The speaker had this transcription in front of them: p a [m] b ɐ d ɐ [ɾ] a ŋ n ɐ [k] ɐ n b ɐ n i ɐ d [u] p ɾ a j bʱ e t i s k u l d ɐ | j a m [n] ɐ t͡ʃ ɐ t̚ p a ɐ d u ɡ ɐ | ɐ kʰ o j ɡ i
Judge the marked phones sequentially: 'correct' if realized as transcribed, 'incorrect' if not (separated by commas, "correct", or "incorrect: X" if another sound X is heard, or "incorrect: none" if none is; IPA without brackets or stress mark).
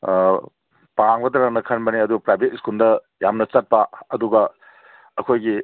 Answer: incorrect: ŋ, correct, incorrect: kʰ, correct, correct